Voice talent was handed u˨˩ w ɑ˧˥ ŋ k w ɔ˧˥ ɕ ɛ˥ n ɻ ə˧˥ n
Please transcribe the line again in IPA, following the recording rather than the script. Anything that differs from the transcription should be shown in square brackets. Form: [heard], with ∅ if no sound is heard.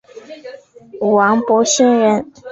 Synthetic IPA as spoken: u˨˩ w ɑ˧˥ ŋ [p] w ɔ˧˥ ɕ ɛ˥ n ɻ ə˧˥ n